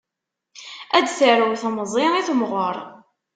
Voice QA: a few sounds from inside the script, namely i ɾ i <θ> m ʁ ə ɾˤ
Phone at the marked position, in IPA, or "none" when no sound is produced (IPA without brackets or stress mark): θ